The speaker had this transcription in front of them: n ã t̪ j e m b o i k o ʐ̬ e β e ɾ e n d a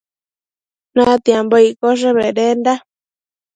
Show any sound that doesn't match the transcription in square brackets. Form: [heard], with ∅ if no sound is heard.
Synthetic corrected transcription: n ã t̪ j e m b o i k o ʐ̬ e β e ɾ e n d a